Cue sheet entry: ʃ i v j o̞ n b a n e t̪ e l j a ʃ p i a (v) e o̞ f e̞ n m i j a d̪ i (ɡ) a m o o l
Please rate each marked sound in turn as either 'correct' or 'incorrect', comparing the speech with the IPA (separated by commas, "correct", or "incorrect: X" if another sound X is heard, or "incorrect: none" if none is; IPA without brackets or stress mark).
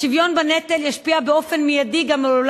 incorrect: b, correct